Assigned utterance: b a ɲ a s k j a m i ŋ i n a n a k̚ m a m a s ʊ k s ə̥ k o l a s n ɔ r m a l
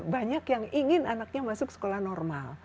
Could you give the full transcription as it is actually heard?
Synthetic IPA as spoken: b a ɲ a k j a ŋ i ŋ ɪ n a n a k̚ ɲ a m a s ʊ k s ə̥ k o l a h n ɔ r m a l